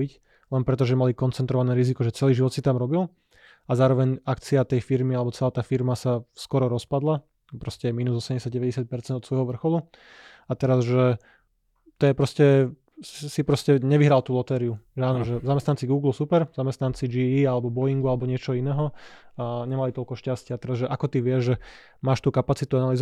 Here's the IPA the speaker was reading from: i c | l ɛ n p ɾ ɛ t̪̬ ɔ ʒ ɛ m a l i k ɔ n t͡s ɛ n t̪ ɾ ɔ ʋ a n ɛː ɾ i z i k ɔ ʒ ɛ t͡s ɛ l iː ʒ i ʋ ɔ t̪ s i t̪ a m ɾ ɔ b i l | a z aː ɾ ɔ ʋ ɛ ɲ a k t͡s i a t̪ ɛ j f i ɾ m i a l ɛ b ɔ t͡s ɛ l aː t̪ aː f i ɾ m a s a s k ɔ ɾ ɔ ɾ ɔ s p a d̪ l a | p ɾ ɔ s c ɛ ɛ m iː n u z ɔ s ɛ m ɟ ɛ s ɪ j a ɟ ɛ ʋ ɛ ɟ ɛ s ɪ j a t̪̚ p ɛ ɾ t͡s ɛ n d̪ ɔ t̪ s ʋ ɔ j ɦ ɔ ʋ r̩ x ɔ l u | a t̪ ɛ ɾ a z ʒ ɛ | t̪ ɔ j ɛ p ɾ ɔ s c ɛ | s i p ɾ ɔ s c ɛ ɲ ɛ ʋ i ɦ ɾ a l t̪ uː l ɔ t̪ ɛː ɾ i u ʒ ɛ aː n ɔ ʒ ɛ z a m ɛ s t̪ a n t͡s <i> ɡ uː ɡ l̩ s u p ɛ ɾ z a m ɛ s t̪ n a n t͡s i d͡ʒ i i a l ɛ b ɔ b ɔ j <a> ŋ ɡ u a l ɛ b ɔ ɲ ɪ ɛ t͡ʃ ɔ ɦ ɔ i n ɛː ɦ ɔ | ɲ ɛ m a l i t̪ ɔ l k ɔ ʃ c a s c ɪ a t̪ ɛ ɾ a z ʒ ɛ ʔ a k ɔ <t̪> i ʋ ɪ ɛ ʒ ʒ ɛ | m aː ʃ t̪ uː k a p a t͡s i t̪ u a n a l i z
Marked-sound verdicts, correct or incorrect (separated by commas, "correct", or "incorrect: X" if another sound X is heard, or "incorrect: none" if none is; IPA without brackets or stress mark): correct, incorrect: i, correct